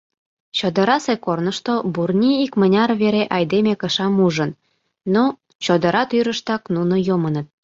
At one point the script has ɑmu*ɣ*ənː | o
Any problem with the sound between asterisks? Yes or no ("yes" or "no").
yes